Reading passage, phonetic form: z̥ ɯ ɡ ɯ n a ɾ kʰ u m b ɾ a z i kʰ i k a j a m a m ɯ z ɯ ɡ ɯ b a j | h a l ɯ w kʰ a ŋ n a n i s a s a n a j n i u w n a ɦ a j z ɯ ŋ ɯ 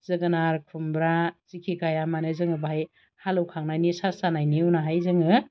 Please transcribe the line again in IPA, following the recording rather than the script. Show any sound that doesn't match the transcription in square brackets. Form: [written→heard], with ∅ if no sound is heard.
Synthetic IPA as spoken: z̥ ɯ ɡ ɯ n a ɾ kʰ u m b ɾ a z i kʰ i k a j a m a [m→n] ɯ z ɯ [ɡ→ŋ] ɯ b a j | h a l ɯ w kʰ a ŋ n a n i s a s a n a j n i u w n a ɦ a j z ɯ ŋ ɯ

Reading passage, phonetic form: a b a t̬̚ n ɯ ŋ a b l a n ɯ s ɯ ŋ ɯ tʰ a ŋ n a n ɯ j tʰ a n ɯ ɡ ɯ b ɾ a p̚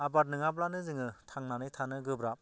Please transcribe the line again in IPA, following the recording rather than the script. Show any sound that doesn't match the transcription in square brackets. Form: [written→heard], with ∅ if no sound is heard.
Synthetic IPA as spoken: a b a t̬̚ n ɯ ŋ a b l a n ɯ [s→z] ɯ ŋ ɯ tʰ a ŋ n a n ɯ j tʰ a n ɯ ɡ ɯ b ɾ a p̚

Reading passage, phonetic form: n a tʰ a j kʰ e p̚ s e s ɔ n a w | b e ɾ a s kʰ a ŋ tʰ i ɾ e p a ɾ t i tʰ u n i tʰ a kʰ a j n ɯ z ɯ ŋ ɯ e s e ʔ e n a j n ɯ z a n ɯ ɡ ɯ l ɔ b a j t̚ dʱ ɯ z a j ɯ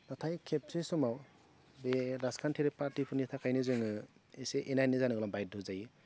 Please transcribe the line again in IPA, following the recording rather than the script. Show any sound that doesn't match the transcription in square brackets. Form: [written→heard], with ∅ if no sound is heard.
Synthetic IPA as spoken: n a tʰ a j kʰ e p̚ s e s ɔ [n→m] a w | b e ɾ a s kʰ a [ŋ→n] tʰ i ɾ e p a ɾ t i [tʰ→pʰ] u n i tʰ a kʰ a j n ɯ z ɯ ŋ ɯ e s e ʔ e n a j n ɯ z a n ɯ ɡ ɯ l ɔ b a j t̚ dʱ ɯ z a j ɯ

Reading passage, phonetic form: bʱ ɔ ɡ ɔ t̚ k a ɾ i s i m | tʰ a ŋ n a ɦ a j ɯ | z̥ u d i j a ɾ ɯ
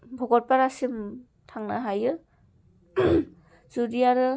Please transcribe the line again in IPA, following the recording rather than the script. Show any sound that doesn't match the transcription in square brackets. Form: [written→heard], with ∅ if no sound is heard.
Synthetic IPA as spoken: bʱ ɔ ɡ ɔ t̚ [k→p] a ɾ [i→a] s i m | tʰ a ŋ n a ɦ a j ɯ | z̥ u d i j a ɾ ɯ

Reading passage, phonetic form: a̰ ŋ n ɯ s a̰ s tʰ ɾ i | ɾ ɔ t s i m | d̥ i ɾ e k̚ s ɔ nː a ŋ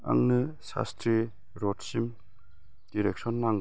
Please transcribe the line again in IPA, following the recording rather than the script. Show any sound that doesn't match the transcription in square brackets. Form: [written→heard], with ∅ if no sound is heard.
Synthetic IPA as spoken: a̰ ŋ n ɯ s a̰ s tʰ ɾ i | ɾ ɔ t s i m | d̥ i ɾ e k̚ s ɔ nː a ŋ

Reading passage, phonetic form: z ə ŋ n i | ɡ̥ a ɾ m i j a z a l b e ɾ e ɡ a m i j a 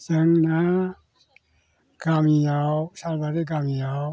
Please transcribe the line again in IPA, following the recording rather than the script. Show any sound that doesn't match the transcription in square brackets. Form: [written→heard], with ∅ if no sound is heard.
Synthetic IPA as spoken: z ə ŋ n [i→a] | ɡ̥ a [ɾ→∅] m i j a [z→s] a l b [e→a] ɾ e ɡ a m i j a

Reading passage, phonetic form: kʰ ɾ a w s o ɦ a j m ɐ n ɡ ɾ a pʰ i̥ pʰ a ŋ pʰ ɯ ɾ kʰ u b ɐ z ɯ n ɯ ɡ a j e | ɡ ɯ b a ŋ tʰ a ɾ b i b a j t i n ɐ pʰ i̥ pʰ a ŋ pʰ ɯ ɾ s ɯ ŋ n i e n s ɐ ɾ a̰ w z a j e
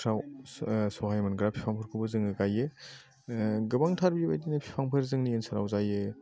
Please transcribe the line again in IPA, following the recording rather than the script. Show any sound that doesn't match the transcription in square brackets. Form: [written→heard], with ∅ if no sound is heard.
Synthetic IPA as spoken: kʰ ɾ a w s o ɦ a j m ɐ n ɡ ɾ a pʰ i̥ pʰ a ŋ pʰ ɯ ɾ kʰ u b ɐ z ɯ [n→ŋ] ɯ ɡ a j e | ɡ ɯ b a ŋ tʰ a ɾ b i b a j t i n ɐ pʰ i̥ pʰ a ŋ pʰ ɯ ɾ [s→z] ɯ ŋ n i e n s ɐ ɾ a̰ w z a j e

